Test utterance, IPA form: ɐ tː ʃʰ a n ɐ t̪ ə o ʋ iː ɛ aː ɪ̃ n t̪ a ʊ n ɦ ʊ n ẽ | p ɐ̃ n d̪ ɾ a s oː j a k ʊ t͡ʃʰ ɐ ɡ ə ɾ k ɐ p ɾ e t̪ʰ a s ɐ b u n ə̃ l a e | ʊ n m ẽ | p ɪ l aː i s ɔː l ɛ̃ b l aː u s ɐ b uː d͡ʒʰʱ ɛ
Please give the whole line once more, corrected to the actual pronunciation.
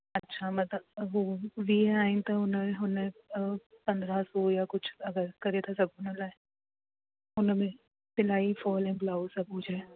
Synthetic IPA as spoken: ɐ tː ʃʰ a m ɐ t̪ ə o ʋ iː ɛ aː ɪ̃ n t̪ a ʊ n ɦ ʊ n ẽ | p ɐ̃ n d̪ ɾ a s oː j a k ʊ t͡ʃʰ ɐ ɡ ə ɾ k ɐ ɾ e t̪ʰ a s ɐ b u n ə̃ l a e | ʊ n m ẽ | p ɪ l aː i f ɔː l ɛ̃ b l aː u s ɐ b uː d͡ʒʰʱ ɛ